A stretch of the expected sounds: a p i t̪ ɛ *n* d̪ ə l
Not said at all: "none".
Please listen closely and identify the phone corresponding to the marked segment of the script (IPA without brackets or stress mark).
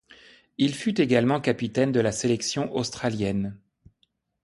n